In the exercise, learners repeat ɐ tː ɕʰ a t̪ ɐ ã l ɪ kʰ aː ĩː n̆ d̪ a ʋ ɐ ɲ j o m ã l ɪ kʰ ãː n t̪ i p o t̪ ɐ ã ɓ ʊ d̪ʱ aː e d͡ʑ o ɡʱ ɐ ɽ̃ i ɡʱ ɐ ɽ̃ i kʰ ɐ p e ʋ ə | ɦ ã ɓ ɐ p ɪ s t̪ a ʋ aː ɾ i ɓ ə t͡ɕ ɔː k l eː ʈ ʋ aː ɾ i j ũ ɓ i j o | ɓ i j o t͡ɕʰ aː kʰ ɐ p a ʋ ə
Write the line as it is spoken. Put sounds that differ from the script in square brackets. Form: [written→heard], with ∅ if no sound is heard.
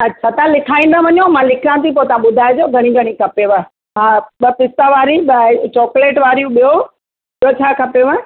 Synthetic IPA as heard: ɐ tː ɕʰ a t̪ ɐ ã l ɪ kʰ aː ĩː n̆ d̪ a ʋ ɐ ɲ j o m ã l ɪ kʰ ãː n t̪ i p o t̪ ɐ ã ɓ ʊ d̪ʱ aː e d͡ʑ o ɡʱ ɐ ɽ̃ i ɡʱ ɐ ɽ̃ i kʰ ɐ p e ʋ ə | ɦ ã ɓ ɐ p ɪ s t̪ a ʋ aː ɾ i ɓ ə t͡ɕ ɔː k l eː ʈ ʋ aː ɾ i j ũ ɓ i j o | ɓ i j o t͡ɕʰ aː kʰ ɐ p [a→e] ʋ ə